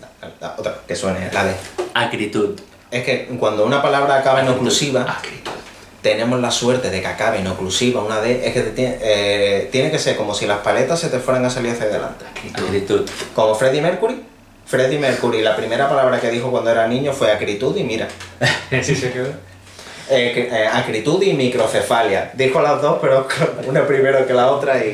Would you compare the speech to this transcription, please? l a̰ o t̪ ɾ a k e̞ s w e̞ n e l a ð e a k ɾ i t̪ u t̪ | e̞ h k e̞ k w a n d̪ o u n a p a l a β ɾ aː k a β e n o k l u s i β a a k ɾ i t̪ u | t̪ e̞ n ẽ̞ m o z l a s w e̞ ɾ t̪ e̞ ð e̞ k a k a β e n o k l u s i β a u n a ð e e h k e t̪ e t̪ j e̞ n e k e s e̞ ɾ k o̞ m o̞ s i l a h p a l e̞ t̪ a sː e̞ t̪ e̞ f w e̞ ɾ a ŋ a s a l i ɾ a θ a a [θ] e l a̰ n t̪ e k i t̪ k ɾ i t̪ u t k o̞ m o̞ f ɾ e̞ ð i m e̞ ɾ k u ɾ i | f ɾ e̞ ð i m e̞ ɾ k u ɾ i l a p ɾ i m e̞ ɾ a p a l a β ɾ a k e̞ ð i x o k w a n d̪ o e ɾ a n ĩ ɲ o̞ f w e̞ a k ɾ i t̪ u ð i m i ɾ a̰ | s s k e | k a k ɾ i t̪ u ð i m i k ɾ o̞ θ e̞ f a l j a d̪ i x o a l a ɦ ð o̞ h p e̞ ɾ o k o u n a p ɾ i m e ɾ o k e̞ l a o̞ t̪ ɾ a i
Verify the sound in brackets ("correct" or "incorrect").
incorrect